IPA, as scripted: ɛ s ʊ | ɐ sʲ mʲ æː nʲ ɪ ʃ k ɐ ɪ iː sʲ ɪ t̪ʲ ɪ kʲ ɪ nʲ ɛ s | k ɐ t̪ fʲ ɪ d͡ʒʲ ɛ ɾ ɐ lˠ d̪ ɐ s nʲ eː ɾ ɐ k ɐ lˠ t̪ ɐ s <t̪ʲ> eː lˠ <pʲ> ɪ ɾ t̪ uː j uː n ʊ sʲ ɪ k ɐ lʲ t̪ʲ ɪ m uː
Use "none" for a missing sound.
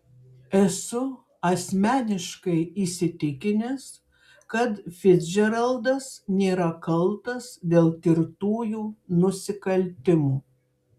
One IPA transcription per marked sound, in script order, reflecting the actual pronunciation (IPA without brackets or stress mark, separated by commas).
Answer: d̪ʲ, kʲ